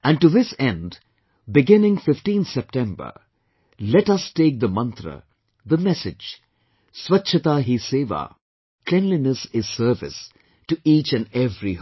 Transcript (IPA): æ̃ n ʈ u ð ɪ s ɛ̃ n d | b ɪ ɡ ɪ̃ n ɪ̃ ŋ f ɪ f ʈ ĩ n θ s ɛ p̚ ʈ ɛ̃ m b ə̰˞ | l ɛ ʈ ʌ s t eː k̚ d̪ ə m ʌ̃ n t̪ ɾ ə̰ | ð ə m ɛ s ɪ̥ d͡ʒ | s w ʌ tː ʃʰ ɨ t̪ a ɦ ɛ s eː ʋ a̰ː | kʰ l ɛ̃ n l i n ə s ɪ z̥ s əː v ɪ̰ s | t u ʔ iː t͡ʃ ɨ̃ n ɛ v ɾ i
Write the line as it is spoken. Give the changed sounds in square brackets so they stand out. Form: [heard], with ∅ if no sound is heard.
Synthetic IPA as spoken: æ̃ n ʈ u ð ɪ s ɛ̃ n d | b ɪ ɡ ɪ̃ n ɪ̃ ŋ f ɪ f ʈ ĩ n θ s ɛ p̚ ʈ ɛ̃ m b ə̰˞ | l ɛ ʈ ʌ s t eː k̚ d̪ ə m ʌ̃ n t̪ ɾ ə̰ | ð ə m ɛ s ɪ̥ d͡ʒ | s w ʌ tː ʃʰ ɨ t̪ a ɦ [i] s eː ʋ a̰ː | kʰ l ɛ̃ n l i n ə s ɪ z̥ s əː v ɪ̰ s | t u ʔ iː t͡ʃ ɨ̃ n ɛ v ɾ i